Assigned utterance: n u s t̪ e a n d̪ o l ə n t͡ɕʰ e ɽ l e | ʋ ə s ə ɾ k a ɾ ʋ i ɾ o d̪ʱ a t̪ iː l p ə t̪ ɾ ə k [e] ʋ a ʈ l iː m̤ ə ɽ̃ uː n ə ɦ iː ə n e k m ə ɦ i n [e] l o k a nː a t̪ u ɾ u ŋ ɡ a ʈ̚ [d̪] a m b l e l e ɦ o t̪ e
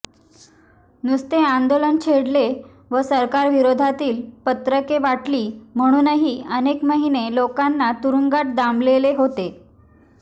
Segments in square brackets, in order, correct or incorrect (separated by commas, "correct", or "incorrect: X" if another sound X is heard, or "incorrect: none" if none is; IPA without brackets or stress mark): correct, correct, correct